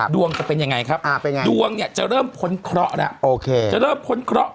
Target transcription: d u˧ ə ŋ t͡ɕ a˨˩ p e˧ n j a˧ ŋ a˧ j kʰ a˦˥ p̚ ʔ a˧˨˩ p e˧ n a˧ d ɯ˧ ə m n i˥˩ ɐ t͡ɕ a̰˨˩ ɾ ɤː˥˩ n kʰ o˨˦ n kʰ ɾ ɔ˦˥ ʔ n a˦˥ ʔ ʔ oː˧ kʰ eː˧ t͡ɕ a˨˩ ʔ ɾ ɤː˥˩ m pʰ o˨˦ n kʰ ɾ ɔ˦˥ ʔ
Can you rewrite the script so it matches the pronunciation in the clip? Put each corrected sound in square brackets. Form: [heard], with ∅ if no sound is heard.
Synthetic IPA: d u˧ ə ŋ t͡ɕ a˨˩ p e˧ n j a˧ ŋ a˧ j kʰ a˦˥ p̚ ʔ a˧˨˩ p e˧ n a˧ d [u˧] ə [ŋ] n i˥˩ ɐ t͡ɕ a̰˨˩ ɾ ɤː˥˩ [m] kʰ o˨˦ n kʰ ɾ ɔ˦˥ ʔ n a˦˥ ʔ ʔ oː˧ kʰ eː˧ t͡ɕ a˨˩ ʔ ɾ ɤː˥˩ m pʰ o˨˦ n kʰ ɾ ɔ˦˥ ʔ